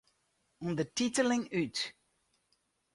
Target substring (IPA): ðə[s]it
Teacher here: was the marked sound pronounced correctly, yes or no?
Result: no